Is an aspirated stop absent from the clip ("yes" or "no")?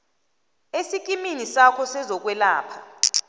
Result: no